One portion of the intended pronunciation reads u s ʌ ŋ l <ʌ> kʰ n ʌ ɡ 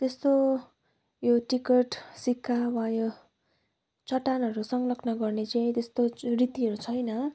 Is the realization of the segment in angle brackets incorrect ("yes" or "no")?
no